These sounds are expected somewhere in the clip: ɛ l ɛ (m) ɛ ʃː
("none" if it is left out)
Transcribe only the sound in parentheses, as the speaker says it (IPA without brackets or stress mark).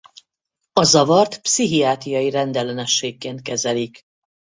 n